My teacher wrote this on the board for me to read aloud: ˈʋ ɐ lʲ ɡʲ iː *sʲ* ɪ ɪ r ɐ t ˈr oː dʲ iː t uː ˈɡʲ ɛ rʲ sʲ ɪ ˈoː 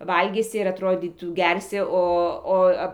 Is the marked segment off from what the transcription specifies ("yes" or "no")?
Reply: no